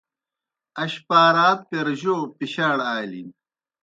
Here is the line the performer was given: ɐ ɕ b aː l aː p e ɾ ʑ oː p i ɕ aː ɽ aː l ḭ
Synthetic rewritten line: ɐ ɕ p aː ɾ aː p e ɾ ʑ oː p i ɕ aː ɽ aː l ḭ